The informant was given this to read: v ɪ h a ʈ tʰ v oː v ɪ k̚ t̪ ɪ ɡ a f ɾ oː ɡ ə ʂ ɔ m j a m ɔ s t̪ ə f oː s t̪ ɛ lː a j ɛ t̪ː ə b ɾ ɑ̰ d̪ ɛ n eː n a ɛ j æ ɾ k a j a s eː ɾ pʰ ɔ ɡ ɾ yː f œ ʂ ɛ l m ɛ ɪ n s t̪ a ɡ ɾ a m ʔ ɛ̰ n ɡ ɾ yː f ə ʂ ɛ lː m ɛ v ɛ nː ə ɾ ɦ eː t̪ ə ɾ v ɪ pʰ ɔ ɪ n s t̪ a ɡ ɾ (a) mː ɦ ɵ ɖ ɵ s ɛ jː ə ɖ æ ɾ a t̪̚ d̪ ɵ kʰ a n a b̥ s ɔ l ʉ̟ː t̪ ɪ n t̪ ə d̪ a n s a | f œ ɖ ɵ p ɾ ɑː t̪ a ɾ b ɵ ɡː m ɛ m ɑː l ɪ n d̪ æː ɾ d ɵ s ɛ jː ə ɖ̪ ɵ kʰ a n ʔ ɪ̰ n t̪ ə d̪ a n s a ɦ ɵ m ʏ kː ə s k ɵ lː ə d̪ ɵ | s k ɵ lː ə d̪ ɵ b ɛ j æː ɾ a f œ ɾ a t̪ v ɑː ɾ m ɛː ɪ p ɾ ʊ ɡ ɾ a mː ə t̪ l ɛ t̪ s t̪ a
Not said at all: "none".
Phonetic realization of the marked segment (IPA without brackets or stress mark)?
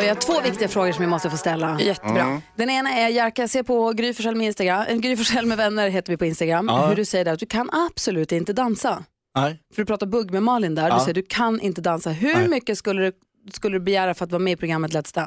a